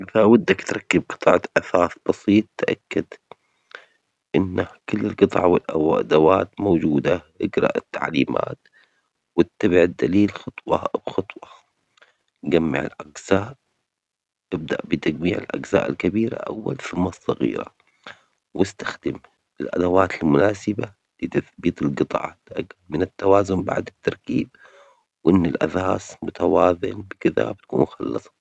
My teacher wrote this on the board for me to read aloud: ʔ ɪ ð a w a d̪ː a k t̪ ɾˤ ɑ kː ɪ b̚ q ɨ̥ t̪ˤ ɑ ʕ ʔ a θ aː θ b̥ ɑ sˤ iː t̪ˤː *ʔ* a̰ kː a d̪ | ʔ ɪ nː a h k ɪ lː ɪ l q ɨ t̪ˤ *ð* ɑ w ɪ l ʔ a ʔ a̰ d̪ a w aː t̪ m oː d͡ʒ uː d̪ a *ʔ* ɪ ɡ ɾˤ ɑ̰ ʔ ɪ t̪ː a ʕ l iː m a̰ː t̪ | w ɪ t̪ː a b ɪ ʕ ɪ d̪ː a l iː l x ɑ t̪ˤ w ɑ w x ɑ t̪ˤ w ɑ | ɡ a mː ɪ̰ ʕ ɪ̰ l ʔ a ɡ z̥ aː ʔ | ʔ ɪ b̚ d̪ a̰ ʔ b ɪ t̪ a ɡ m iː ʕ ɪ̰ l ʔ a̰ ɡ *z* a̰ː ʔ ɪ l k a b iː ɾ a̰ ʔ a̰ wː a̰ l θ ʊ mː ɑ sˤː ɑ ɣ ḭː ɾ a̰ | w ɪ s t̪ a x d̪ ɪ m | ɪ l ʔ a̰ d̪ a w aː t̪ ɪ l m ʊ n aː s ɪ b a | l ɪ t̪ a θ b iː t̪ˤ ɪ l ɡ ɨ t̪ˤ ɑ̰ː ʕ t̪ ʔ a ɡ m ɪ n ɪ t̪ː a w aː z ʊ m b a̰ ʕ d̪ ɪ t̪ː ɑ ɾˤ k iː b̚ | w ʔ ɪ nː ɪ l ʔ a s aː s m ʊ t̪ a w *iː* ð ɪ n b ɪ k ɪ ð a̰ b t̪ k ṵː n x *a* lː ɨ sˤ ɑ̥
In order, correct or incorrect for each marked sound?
correct, incorrect, correct, correct, incorrect, incorrect

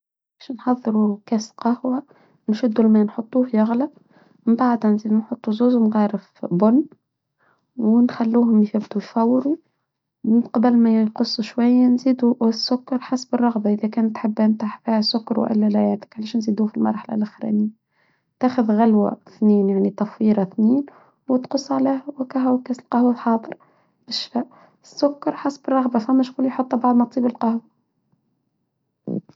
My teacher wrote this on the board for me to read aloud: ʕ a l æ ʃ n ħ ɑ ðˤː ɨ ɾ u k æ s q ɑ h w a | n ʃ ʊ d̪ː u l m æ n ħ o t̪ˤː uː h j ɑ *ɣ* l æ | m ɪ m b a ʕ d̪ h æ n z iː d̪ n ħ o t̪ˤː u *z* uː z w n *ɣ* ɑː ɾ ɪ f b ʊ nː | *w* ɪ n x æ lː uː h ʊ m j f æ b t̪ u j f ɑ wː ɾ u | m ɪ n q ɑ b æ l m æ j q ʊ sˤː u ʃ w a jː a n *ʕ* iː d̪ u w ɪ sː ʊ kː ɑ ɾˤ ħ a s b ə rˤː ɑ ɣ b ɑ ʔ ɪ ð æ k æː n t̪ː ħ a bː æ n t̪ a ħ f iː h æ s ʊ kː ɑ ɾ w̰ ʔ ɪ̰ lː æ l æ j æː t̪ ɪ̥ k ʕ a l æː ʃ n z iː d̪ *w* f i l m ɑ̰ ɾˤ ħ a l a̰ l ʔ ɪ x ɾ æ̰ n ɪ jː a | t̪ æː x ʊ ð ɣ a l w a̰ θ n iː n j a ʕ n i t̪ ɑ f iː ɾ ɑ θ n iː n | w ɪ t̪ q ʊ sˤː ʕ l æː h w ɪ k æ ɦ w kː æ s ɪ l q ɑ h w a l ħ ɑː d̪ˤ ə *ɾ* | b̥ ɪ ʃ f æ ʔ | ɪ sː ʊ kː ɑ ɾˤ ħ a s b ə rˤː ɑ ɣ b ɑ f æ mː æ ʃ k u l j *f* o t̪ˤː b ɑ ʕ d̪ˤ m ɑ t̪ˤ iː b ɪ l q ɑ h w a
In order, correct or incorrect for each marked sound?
correct, correct, correct, correct, incorrect, incorrect, correct, incorrect

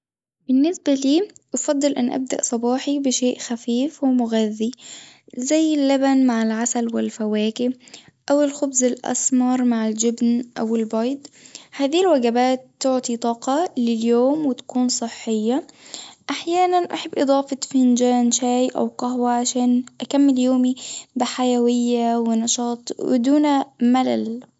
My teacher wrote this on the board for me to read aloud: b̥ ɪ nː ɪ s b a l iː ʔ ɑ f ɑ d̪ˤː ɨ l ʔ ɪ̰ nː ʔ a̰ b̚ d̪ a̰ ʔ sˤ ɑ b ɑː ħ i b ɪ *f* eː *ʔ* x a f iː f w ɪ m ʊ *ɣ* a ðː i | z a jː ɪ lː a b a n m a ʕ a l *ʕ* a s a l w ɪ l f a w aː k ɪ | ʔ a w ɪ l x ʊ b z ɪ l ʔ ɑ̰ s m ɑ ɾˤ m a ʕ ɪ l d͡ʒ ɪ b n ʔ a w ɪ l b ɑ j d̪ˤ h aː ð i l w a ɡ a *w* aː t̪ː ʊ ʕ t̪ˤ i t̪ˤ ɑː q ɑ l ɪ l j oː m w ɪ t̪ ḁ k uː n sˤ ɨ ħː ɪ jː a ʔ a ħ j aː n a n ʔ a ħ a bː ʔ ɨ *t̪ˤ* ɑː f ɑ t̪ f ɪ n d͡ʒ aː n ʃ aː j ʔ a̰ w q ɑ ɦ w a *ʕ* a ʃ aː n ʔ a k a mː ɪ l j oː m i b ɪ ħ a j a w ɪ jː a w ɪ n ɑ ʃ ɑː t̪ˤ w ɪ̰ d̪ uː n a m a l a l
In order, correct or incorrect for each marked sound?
incorrect, correct, correct, correct, incorrect, incorrect, correct

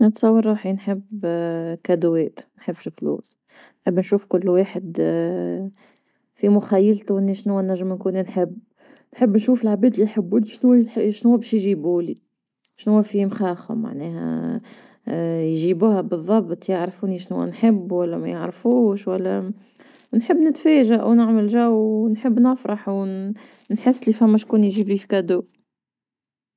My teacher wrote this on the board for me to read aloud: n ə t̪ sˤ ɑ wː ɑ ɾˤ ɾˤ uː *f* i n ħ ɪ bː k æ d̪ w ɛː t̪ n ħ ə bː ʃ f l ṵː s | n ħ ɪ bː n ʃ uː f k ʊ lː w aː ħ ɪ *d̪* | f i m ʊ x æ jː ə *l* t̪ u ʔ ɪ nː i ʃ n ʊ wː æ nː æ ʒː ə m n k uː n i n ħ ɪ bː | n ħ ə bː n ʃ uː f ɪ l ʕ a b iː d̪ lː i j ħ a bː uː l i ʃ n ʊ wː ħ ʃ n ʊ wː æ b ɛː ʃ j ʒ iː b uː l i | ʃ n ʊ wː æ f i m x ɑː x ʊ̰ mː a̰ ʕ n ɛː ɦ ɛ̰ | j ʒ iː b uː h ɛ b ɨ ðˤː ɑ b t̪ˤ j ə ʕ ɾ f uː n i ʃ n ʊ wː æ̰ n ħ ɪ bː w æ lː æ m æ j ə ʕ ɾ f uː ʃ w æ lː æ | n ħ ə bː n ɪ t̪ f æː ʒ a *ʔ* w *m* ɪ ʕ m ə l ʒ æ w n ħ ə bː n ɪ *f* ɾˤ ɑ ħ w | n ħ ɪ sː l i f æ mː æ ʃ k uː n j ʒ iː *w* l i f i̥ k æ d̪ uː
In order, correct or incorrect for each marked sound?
incorrect, correct, correct, correct, incorrect, correct, incorrect

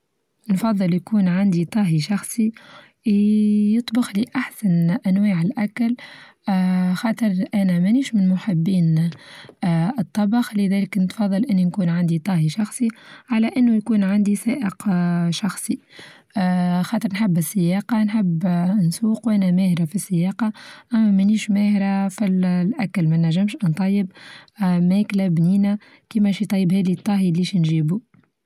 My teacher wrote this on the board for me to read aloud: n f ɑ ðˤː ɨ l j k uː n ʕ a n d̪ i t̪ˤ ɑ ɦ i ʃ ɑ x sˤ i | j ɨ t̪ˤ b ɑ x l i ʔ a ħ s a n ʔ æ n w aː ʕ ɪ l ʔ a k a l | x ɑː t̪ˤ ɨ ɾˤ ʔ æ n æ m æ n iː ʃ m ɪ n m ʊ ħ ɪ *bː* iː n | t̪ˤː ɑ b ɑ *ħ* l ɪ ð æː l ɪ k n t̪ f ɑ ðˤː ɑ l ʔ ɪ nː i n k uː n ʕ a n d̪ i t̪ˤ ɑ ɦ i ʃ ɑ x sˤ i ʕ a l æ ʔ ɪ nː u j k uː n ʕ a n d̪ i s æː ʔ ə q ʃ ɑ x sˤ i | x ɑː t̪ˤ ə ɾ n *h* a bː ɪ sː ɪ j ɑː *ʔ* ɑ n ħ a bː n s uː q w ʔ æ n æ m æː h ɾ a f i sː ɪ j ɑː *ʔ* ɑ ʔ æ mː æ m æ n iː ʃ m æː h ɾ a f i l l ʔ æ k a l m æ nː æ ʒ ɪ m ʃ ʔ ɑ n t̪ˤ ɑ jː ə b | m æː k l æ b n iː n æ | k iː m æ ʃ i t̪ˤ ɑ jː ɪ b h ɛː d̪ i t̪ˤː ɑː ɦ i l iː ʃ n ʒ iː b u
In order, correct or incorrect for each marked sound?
correct, incorrect, incorrect, incorrect, incorrect

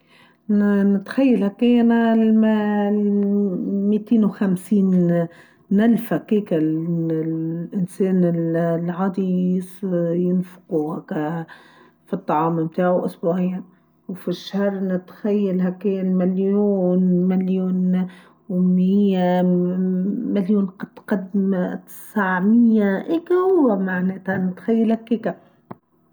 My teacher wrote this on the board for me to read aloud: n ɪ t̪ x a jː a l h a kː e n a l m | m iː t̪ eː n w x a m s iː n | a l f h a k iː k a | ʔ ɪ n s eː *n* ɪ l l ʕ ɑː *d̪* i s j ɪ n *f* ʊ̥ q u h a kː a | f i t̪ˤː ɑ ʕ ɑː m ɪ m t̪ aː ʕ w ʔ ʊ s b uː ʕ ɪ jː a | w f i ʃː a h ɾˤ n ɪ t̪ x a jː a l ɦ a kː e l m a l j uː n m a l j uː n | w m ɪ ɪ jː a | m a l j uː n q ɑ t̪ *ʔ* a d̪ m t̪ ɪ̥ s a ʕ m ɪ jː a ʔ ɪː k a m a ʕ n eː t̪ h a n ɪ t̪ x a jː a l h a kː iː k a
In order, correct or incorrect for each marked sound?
correct, correct, correct, incorrect

